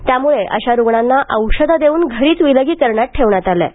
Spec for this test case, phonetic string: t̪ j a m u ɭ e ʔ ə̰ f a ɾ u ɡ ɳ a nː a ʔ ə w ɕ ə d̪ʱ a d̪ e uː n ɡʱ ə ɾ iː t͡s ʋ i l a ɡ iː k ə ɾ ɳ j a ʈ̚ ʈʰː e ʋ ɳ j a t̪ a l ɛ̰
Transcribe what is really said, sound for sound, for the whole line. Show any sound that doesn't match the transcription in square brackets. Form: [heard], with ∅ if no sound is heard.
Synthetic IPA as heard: t̪ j a m u ɭ e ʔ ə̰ [ɕ] a ɾ u ɡ ɳ a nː a ʔ ə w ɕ ə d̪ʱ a d̪ e uː n ɡʱ ə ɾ iː t͡s ʋ i l [ə] ɡ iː k ə ɾ ɳ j a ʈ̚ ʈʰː e ʋ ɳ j a t̪ a l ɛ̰

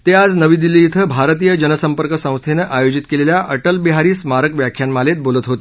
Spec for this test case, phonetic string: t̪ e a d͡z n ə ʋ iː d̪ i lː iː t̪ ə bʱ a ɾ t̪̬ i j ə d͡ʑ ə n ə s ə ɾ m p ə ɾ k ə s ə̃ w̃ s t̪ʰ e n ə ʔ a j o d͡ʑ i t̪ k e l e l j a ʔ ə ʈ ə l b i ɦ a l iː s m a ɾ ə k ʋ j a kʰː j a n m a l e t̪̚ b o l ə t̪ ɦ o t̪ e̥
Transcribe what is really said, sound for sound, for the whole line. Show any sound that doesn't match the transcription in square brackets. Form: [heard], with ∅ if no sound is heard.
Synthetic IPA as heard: t̪ e a d͡z n ə ʋ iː d̪ i lː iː [t̪ʰ] ə bʱ a ɾ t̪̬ i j ə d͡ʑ ə n ə s ə [∅] m p ə ɾ k ə s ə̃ w̃ s t̪ʰ e n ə ʔ a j o d͡ʑ i t̪ k e l e l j a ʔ ə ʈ ə l b i ɦ a [ɾ] iː s m a ɾ ə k ʋ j a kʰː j a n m a l e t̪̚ b o l ə t̪ ɦ o t̪ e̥

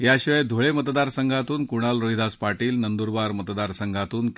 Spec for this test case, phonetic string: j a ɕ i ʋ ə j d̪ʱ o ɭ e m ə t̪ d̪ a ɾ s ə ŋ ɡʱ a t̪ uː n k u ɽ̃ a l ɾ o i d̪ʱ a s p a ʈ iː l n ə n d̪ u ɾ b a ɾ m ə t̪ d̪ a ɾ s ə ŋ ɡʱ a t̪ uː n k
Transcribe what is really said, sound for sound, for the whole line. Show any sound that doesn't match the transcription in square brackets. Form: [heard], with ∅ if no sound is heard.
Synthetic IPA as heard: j a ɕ i ʋ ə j d̪ʱ o ɭ e m ə t̪ d̪ a ɾ s ə ŋ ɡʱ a t̪ uː n k u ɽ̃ a l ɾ o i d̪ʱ a s p a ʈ iː l n ə n d̪ u ɾ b a ɾ m ə t̪ d̪ a ɾ s ə ŋ ɡʱ a t̪ uː n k

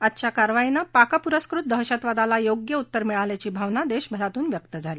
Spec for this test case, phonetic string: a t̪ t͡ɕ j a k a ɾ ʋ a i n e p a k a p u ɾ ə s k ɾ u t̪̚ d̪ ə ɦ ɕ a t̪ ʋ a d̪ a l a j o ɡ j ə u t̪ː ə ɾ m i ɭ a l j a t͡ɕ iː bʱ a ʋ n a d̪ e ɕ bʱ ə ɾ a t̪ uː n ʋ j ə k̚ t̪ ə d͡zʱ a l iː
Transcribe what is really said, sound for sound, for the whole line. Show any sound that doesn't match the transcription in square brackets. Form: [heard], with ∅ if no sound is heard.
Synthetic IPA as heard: a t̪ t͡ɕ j a k a ɾ ʋ a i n [a] p a k a p u ɾ ə s k ɾ u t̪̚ d̪ ə ɦ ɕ a t̪ ʋ a d̪ a l a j o ɡ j ə u t̪ː ə ɾ m i ɭ a l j a t͡ɕ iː bʱ a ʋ n a d̪ e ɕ bʱ ə ɾ a t̪ uː n ʋ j ə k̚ t̪ ə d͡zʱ a l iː

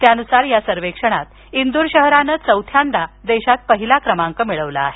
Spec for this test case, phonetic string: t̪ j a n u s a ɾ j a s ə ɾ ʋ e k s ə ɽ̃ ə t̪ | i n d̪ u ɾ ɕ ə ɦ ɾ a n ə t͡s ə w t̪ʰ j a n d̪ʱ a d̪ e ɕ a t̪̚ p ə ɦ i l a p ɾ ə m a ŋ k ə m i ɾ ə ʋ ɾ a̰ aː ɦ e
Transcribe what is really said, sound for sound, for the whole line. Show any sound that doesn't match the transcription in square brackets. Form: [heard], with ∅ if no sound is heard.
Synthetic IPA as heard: t̪ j a n u s a ɾ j a s ə ɾ ʋ e k [ʂ] ə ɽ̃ [a] t̪ | i n d̪ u ɾ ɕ ə ɦ ɾ a n ə t͡s ə w t̪ʰ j a n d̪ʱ a d̪ e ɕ a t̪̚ p ə ɦ i l a [k] ɾ ə m a ŋ k ə m i [ɭ] ə ʋ [l] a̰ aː ɦ e

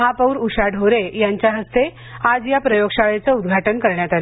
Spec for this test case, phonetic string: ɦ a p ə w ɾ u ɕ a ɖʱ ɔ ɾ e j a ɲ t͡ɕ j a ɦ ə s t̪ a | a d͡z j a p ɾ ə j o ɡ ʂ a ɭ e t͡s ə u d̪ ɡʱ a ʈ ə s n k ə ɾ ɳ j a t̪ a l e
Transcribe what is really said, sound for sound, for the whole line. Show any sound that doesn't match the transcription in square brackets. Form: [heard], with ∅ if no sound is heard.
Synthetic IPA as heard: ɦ a p ə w ɾ u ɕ a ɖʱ [o] ɾ e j a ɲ t͡ɕ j a ɦ ə s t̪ [e] | a d͡z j a p ɾ ə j o ɡ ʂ a ɭ e t͡s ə u d̪ ɡʱ a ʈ ə [∅] n k ə ɾ ɳ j a t̪ a l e

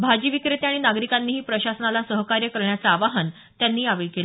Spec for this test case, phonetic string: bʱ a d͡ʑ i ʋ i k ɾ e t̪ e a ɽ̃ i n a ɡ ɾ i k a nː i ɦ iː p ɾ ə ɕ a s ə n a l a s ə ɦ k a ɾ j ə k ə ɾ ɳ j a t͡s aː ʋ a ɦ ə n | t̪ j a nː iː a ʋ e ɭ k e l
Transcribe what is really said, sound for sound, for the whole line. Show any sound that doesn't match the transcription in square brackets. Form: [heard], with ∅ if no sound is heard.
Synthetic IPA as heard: bʱ a d͡ʑ i ʋ i k ɾ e t̪ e a ɽ̃ i n a ɡ ɾ i k a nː [iː] ɦ iː p ɾ ə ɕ a s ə n a l a s ə ɦ k a ɾ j ə k ə ɾ ɳ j a t͡s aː ʋ a ɦ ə n | t̪ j a nː iː a ʋ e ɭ k e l

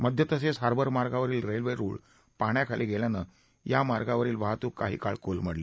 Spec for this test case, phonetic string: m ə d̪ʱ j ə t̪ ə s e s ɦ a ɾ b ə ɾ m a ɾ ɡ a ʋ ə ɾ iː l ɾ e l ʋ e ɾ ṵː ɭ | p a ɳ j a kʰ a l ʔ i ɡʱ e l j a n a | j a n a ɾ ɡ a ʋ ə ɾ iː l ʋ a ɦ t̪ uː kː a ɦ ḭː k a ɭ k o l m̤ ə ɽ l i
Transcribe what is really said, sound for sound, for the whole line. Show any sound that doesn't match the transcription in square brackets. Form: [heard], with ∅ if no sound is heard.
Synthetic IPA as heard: m ə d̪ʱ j ə t̪ ə s e s ɦ a ɾ b ə ɾ m a ɾ ɡ a ʋ ə ɾ iː l ɾ e l ʋ e ɾ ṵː ɭ | p a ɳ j a kʰ a l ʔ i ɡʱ e l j a n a | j a [m] a ɾ ɡ a ʋ ə ɾ iː l ʋ a ɦ t̪ uː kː a ɦ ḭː k a ɭ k o l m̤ ə ɽ l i

